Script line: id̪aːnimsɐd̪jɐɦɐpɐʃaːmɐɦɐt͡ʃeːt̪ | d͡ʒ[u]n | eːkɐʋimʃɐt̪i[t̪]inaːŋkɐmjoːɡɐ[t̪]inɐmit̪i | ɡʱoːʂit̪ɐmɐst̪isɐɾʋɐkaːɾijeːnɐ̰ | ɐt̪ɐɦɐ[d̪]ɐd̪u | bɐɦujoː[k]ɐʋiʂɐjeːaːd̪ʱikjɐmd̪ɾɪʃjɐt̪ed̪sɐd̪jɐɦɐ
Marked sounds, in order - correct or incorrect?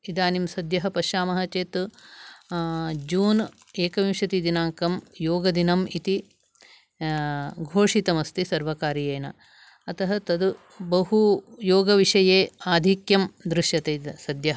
incorrect, incorrect, incorrect, incorrect, incorrect

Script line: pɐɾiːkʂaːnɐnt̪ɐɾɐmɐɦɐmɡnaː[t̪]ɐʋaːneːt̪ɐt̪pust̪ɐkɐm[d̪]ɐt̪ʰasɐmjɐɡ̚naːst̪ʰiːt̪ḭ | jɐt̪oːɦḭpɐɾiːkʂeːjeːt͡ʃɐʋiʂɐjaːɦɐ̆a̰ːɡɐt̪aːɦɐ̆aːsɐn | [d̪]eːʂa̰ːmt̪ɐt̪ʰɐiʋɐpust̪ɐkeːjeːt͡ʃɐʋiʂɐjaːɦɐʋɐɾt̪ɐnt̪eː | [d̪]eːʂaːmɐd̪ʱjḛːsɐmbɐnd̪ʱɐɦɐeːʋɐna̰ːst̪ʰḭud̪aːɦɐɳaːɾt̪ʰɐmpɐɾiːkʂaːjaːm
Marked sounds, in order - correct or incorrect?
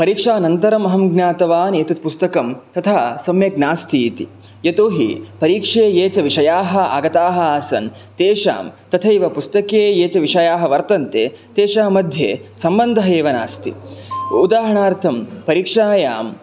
correct, incorrect, incorrect, incorrect

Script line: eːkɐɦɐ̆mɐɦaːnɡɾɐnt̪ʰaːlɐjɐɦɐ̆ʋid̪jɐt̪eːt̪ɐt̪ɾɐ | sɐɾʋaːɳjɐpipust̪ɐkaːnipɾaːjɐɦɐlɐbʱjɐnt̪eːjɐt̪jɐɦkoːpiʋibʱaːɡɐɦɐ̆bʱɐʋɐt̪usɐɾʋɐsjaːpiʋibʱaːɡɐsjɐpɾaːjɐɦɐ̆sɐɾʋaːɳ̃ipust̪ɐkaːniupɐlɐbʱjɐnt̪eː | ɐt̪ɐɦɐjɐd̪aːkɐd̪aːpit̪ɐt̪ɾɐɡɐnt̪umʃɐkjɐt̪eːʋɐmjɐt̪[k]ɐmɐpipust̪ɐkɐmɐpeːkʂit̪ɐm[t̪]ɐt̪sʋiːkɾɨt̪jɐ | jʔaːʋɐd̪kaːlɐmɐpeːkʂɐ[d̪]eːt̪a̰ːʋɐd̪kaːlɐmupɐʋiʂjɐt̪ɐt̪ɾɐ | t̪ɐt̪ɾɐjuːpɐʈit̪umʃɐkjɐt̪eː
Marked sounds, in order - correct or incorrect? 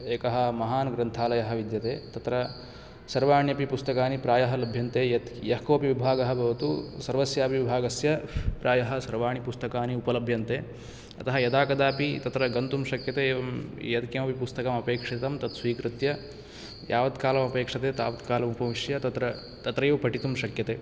correct, correct, incorrect

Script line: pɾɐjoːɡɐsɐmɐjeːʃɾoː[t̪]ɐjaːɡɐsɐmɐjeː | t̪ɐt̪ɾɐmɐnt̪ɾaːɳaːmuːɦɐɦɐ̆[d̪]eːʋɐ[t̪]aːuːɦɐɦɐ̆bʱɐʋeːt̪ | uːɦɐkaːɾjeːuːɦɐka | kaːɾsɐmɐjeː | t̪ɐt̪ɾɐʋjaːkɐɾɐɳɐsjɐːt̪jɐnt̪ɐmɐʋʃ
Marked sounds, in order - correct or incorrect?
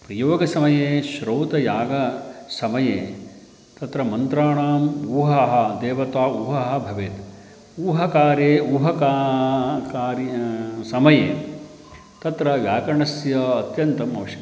correct, correct, correct

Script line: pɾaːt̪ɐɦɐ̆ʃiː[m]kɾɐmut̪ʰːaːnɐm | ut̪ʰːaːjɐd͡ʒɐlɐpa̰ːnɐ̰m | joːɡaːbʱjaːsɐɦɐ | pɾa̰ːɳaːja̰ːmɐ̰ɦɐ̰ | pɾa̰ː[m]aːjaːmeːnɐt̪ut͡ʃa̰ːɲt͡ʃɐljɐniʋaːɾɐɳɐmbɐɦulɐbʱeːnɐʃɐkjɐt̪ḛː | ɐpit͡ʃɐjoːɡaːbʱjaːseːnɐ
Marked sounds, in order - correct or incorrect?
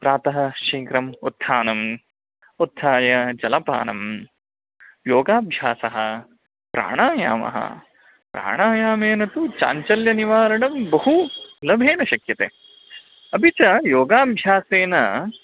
incorrect, incorrect

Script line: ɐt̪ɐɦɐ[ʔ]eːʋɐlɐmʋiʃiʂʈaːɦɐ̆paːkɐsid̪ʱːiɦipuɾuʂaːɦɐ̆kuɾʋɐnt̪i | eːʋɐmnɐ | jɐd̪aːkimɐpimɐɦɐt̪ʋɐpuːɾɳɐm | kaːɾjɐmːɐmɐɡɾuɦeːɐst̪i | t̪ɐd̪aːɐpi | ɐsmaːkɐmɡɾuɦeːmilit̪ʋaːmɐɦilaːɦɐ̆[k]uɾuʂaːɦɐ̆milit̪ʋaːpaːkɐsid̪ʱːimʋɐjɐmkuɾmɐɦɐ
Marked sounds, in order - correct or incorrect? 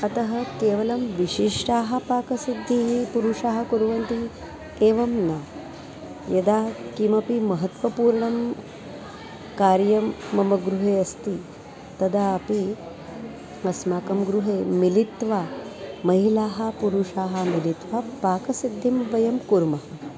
incorrect, incorrect

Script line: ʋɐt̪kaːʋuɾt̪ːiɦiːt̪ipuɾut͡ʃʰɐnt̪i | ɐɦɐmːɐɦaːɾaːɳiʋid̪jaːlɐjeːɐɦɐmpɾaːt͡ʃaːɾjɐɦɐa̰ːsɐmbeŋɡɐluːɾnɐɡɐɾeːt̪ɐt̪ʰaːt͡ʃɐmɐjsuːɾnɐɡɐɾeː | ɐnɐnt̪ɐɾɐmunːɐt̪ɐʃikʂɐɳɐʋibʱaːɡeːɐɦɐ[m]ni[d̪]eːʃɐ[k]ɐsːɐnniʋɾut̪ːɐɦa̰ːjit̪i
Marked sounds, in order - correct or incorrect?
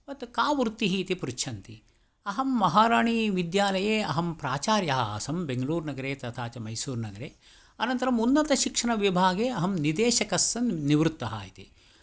correct, correct, correct

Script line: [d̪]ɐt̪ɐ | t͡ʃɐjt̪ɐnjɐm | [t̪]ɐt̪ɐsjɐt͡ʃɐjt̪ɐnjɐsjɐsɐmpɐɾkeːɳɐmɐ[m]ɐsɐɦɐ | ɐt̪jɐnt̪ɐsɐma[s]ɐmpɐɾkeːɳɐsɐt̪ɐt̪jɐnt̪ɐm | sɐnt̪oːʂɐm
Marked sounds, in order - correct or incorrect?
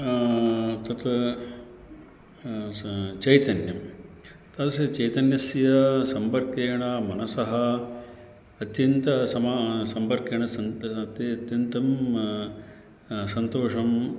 incorrect, correct, incorrect, correct

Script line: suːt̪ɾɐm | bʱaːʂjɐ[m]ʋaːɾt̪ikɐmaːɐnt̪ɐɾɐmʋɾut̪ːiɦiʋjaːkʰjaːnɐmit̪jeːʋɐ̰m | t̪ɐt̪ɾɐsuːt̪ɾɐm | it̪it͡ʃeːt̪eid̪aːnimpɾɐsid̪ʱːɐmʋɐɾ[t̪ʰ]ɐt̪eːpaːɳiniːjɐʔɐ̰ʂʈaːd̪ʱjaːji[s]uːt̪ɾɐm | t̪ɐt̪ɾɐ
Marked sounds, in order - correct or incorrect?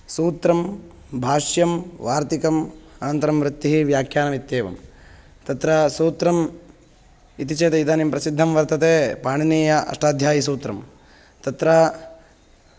correct, incorrect, correct

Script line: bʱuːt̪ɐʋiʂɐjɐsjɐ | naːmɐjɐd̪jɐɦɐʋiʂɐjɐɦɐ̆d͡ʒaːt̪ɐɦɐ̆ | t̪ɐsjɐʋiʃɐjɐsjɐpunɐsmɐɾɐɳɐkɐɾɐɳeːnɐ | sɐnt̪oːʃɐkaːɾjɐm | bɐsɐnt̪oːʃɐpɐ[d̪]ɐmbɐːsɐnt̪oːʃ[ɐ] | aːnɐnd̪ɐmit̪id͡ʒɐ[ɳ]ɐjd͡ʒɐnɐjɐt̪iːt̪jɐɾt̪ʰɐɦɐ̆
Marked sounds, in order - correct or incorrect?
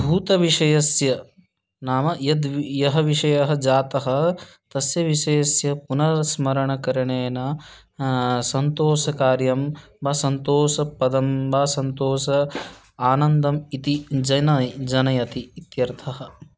correct, correct, incorrect

